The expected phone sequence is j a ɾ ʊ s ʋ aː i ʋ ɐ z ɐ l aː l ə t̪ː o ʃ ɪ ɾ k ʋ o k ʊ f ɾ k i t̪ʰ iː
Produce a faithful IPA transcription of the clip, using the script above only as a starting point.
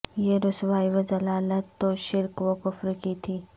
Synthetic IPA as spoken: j e ɾ ʊ s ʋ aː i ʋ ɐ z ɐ l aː l ə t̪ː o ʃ ɪ ɾ k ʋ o k ʊ f ɾ k i t̪ʰ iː